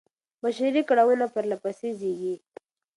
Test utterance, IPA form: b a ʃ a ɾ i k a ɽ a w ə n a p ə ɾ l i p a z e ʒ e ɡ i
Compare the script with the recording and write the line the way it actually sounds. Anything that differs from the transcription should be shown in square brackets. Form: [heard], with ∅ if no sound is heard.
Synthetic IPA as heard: b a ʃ a ɾ i k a ɽ a w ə n a p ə ɾ l [a] p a [s] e [z] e ɡ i